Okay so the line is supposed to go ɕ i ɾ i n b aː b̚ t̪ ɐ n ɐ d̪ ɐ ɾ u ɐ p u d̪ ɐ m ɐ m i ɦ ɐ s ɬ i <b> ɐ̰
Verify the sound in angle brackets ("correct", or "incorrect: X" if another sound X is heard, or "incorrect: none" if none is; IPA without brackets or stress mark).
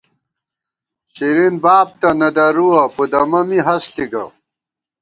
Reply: incorrect: ɡ